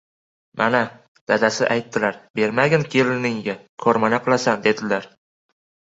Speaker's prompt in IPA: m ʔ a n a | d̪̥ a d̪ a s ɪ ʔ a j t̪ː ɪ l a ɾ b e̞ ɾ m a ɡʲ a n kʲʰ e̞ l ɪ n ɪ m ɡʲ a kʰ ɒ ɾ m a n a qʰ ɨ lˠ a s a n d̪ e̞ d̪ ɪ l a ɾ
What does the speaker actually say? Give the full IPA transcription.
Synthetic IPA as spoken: m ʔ a n a | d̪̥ a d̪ a s ɪ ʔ a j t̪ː ɪ l a ɾ b e̞ ɾ m a ɡʲ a n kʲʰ e̞ l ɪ n ɪ ŋ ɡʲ a kʰ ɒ ɾ m a n a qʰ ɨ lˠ a s a n d̪ e̞ d̪ ɪ l a ɾ